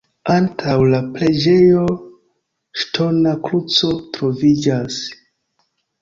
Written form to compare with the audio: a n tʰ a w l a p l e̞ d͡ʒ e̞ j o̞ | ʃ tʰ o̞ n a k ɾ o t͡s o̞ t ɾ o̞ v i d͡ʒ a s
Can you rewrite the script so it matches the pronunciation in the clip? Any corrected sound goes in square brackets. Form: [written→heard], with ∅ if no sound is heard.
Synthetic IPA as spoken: a n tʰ a w l a p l e̞ d͡ʒ e̞ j o̞ | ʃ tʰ o̞ n a k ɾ [o→u] t͡s o̞ t ɾ o̞ v i d͡ʒ a s